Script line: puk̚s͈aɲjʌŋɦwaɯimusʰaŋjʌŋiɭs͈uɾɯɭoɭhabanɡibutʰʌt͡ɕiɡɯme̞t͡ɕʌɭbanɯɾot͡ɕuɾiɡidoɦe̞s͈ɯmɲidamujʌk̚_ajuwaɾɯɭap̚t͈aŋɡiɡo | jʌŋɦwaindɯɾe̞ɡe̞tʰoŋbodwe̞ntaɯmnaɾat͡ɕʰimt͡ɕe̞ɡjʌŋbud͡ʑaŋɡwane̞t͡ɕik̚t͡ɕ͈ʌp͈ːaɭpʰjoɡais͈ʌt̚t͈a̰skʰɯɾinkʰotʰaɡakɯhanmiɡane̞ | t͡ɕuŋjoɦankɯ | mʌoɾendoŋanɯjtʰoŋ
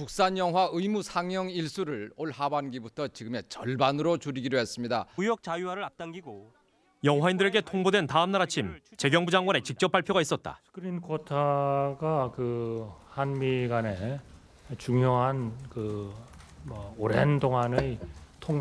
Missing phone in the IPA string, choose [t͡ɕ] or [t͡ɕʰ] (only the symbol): t͡ɕ